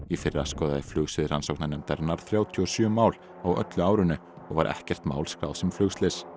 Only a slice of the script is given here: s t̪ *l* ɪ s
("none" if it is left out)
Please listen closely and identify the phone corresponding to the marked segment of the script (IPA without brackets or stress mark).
l